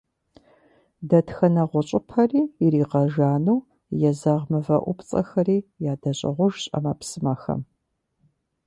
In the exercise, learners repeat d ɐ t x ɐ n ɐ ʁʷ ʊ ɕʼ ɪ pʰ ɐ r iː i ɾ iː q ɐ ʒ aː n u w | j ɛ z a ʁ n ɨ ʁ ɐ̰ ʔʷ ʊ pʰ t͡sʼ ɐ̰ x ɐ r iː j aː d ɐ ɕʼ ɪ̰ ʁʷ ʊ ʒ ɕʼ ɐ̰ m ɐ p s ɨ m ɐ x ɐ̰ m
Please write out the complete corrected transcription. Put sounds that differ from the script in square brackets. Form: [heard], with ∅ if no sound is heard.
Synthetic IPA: d ɐ t x ɐ n ɐ ʁʷ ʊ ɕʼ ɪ pʰ ɐ r iː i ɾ iː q ɐ ʒ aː n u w | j ɛ z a ʁ [m] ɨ [v] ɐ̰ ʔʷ ʊ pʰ t͡sʼ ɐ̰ x ɐ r iː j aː d ɐ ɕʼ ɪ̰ ʁʷ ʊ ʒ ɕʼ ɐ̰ m ɐ p s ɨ m ɐ x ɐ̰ m